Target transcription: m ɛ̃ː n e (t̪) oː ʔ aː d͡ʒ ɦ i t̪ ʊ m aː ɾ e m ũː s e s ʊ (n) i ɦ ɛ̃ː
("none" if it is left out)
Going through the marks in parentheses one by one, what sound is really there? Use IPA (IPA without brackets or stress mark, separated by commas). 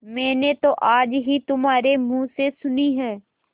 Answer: t̪, n